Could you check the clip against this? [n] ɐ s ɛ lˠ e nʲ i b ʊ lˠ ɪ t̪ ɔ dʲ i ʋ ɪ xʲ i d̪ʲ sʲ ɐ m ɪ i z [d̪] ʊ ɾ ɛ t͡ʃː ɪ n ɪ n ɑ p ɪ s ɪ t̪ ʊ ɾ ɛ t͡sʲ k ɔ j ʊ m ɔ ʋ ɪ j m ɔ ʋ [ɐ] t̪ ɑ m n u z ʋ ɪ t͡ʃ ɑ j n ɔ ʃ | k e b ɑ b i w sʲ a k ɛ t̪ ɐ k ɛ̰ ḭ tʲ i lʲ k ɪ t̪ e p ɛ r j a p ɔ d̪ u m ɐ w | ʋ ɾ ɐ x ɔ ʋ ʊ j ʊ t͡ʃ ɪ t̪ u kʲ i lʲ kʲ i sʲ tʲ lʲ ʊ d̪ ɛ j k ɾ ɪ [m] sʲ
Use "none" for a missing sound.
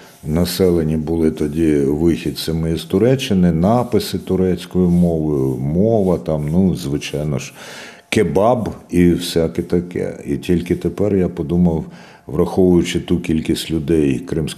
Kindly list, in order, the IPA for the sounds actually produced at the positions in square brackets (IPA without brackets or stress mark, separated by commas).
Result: n, t̪, ɐ, m